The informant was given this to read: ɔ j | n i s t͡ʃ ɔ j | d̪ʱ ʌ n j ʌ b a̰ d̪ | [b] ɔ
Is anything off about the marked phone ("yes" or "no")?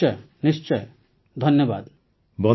no